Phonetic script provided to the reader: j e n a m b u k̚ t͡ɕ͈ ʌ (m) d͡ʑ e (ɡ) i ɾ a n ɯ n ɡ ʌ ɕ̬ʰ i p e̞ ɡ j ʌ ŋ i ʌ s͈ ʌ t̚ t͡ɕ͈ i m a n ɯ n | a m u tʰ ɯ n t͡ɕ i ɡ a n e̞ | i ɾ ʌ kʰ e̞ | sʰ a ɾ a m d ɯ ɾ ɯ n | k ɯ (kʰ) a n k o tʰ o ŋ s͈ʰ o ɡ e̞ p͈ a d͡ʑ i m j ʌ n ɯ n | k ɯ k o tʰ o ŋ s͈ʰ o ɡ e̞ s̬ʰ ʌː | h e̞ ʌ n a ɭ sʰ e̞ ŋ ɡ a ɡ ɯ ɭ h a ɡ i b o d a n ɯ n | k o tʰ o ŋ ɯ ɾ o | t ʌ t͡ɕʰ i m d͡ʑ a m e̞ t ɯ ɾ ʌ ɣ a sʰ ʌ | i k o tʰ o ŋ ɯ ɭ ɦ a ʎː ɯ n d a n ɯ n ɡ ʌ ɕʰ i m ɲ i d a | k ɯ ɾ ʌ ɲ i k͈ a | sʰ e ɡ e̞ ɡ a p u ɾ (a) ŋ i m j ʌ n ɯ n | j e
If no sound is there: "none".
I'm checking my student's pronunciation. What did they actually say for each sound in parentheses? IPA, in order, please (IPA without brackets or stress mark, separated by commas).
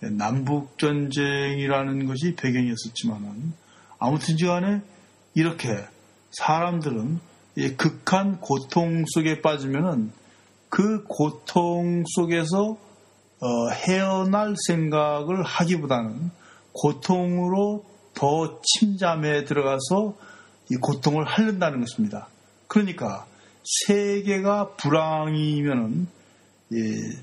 n, ŋ, kʰ, a